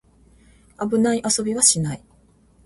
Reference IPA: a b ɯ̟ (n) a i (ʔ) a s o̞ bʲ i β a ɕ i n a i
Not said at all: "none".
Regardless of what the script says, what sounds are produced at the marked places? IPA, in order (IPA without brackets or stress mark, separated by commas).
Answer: n, ʔ